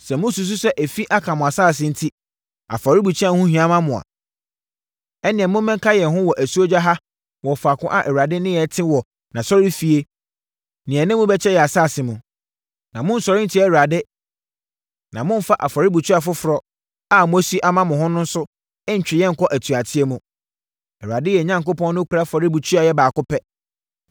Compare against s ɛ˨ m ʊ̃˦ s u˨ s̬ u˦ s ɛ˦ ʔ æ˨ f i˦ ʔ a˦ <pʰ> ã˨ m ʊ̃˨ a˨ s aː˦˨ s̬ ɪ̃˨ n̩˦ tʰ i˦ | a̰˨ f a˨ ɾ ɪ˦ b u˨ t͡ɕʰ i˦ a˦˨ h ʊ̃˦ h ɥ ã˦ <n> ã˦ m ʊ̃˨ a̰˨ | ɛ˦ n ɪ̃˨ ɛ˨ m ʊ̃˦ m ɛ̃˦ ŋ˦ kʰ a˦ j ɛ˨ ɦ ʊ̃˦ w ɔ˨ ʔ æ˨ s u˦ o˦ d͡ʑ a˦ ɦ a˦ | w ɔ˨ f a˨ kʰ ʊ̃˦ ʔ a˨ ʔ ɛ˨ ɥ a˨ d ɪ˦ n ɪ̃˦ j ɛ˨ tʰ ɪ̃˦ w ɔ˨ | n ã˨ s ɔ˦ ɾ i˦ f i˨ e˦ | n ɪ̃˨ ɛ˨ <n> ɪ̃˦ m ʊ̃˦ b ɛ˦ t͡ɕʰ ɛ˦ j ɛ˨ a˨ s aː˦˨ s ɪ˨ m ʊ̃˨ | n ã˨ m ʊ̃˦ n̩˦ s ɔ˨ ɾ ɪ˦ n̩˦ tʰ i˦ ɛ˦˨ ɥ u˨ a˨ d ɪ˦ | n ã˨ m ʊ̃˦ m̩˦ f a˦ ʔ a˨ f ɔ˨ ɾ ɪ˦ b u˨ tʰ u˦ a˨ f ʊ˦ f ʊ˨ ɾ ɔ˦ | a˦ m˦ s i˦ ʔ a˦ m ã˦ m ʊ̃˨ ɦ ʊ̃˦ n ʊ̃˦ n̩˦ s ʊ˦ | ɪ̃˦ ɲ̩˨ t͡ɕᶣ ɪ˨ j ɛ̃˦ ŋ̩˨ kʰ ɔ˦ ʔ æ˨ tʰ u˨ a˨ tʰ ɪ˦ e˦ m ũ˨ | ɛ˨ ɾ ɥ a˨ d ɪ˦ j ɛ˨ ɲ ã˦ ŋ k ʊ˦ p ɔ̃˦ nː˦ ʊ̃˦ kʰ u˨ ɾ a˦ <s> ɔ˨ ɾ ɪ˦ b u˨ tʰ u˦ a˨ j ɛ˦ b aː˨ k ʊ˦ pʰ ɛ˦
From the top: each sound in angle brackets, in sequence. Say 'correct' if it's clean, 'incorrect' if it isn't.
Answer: incorrect: kʰ, incorrect: m, correct, incorrect: f

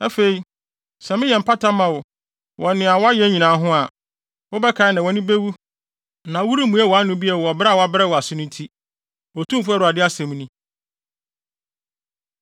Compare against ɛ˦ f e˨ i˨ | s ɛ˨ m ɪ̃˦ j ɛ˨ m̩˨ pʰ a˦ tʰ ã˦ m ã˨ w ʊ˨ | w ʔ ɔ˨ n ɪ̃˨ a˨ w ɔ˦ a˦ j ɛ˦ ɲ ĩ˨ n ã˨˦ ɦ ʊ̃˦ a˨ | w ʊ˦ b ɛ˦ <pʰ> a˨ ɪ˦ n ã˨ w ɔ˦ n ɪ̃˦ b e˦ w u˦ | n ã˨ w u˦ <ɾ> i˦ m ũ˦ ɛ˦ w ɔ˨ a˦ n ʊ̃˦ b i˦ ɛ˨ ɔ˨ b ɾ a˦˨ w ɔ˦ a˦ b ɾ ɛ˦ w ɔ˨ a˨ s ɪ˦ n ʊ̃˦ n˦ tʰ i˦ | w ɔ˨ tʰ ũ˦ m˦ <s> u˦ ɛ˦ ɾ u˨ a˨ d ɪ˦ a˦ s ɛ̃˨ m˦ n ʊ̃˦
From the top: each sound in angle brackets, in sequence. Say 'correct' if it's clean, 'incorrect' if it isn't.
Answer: incorrect: kʰ, correct, incorrect: f

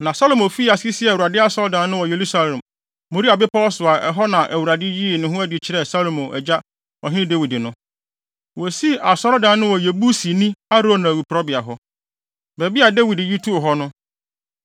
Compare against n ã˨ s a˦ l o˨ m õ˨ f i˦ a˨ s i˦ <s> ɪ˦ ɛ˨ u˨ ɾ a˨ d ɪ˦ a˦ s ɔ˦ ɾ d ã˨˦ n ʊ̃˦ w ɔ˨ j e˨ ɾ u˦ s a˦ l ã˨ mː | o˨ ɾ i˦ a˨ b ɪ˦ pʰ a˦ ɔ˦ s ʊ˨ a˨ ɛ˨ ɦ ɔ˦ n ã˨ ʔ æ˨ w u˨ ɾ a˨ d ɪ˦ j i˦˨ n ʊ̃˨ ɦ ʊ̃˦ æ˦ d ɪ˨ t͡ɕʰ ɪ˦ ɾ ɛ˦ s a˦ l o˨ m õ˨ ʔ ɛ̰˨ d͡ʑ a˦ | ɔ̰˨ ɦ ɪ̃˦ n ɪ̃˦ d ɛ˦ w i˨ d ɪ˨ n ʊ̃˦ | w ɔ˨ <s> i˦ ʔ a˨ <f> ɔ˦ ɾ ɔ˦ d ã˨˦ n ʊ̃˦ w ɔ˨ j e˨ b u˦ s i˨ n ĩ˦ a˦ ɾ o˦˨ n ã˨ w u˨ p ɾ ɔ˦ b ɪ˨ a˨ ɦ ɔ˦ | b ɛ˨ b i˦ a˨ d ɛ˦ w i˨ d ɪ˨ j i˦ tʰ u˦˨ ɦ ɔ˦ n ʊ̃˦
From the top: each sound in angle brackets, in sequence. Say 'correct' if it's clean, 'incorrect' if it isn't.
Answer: correct, correct, incorrect: s

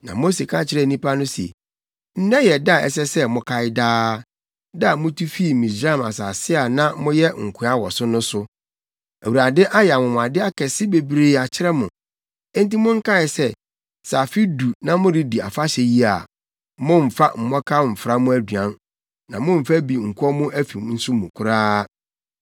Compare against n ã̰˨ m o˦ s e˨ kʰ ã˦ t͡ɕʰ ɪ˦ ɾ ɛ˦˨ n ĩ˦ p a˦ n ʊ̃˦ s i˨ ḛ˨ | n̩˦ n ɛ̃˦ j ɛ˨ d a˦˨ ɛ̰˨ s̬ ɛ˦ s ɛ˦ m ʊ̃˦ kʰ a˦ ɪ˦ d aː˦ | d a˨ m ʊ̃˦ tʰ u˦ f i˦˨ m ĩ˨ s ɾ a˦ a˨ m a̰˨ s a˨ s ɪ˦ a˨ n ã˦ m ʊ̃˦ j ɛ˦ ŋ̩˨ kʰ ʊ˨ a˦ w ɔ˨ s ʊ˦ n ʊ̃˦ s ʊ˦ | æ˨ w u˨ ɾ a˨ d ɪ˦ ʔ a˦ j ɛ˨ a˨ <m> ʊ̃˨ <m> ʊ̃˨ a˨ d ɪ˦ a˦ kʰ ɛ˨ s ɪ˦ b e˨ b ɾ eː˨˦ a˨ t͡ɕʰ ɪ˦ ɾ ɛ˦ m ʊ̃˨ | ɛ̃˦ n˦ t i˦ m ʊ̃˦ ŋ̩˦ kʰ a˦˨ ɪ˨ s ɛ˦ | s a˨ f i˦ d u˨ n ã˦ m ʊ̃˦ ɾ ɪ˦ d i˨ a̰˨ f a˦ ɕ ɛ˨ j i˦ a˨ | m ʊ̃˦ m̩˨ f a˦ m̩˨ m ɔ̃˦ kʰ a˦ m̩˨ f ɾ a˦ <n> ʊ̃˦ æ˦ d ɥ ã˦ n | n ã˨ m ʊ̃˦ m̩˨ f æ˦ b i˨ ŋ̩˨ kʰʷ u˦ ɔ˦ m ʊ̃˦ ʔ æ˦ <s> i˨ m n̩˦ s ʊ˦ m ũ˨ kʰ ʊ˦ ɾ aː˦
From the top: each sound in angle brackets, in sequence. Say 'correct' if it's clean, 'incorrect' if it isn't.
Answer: correct, correct, incorrect: m, incorrect: f

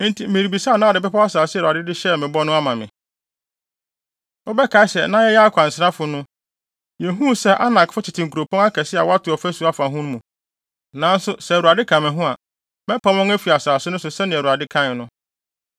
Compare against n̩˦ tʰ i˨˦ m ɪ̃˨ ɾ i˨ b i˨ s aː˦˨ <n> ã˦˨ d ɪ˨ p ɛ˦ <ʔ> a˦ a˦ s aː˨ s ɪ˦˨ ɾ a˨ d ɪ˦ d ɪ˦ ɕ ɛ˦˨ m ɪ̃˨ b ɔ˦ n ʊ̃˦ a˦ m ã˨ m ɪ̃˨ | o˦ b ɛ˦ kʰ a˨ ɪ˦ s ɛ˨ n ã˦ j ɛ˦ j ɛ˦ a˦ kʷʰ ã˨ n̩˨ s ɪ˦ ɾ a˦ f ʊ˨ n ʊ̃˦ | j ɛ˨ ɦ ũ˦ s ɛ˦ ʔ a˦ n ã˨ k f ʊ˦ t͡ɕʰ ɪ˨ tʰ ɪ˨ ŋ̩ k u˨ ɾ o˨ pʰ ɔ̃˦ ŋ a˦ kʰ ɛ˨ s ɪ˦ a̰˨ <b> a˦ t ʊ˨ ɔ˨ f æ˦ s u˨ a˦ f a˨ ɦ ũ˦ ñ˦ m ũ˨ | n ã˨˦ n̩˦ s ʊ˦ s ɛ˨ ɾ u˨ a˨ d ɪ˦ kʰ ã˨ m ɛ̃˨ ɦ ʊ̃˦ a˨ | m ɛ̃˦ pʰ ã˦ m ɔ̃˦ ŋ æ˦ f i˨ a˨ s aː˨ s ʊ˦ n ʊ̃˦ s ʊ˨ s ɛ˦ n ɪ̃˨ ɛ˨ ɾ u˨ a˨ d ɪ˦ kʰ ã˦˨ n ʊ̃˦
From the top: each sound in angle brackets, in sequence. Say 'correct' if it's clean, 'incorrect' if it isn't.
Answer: correct, incorrect: p, incorrect: w

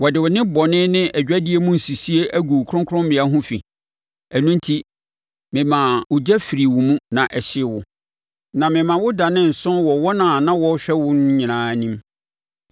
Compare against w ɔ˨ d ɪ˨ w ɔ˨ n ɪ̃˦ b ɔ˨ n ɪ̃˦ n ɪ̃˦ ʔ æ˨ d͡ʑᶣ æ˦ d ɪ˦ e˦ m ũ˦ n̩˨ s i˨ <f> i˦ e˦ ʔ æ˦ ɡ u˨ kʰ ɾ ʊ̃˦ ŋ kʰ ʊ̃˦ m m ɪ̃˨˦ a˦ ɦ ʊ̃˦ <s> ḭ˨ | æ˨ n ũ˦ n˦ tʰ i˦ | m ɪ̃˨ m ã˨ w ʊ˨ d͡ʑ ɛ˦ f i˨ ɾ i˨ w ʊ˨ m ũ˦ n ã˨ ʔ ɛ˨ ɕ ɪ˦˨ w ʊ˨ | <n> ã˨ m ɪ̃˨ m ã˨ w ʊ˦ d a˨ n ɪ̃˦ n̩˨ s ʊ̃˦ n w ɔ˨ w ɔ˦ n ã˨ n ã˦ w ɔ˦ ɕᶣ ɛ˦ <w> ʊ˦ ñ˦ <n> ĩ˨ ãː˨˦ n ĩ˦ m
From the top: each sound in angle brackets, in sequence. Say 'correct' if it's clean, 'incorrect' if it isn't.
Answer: incorrect: s, incorrect: f, correct, correct, incorrect: ɲ

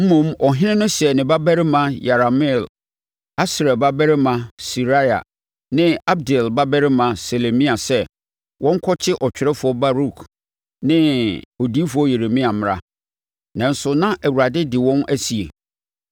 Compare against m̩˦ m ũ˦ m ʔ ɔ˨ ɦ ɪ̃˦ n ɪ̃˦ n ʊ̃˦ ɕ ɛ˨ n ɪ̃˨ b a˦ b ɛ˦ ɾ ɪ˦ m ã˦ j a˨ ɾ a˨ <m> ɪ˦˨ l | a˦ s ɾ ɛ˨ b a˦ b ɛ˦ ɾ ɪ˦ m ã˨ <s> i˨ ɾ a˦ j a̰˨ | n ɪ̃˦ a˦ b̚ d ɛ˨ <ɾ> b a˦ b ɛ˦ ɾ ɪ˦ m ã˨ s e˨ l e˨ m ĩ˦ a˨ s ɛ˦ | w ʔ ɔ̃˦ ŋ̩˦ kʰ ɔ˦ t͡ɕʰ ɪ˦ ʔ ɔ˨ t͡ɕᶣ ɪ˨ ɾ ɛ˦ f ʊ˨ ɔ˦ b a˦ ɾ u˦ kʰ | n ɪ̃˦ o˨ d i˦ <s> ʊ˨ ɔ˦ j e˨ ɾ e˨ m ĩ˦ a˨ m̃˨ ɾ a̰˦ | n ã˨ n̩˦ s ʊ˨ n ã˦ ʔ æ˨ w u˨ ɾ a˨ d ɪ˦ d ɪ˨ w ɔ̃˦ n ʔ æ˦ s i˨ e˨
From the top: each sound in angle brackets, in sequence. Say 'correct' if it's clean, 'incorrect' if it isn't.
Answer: correct, correct, incorrect: l, incorrect: f

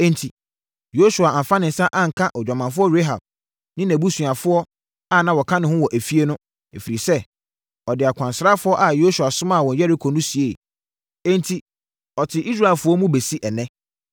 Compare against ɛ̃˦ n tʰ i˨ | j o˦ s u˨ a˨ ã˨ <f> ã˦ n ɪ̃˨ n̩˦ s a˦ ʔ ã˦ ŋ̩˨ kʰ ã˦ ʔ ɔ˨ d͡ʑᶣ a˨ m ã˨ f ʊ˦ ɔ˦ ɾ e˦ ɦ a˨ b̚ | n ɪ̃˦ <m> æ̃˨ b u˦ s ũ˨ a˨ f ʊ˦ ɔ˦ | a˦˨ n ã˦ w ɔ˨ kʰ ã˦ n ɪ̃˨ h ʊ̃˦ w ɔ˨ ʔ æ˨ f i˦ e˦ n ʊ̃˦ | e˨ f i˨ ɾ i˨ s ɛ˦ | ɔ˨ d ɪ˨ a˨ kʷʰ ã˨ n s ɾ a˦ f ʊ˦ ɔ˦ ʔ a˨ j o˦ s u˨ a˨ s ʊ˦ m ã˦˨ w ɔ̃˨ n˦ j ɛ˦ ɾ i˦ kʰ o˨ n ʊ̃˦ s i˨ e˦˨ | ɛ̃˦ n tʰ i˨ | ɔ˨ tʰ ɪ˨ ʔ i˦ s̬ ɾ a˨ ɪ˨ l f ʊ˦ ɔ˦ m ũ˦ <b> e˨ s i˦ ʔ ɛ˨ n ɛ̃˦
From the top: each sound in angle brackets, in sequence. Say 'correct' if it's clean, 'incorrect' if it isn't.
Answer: correct, incorrect: n, correct

